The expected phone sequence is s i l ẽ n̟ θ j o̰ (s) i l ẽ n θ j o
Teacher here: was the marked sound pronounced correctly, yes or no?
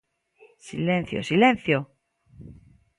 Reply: yes